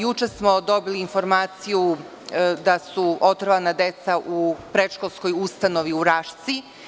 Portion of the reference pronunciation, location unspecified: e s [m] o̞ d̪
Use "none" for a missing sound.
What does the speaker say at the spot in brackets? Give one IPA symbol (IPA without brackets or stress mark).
m